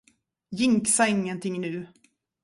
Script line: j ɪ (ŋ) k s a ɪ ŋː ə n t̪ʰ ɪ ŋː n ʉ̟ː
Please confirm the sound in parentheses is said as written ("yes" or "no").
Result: yes